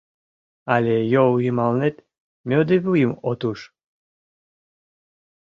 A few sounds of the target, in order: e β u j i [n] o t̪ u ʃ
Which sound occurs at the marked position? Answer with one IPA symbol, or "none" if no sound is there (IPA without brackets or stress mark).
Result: m